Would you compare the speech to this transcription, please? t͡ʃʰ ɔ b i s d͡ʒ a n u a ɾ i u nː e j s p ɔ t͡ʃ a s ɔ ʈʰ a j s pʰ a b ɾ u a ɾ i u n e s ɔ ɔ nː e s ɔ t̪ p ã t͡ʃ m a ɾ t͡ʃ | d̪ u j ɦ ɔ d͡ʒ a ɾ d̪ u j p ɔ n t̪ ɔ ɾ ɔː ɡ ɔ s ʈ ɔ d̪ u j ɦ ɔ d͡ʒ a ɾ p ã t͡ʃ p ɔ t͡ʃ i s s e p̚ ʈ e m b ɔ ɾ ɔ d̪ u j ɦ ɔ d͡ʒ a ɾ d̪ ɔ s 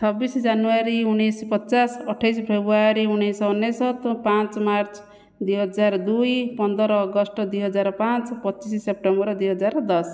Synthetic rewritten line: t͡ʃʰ ɔ b i s d͡ʒ a n u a ɾ i u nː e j s p ɔ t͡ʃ a s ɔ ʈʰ a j s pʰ e b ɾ u a ɾ i u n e s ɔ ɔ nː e s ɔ t̪ p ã t͡ʃ m a ɾ t͡ʃ | d̪ u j ɦ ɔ d͡ʒ a ɾ d̪ u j p ɔ n d̪ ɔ ɾ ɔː ɡ ɔ s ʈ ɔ d̪ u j ɦ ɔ d͡ʒ a ɾ p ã t͡ʃ p ɔ t͡ʃ i s s e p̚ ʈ e m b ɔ ɾ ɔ d̪ u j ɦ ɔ d͡ʒ a ɾ d̪ ɔ s